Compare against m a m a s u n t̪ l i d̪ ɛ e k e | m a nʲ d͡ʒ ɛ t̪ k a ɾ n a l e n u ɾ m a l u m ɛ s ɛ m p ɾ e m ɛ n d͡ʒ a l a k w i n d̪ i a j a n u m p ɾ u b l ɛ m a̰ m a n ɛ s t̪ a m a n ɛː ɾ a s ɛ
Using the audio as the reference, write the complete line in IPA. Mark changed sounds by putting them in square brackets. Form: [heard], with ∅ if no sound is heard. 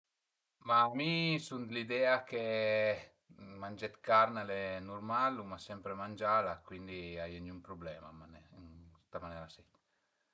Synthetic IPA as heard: m a m [i] s u n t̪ l i d̪ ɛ [a] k e | m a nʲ d͡ʒ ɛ t̪ k a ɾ n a l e n u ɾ m a l u m [a] s ɛ m p ɾ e m [a] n d͡ʒ a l a k w i n d̪ i a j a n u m p ɾ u b l ɛ m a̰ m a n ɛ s t̪ a m a n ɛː ɾ a s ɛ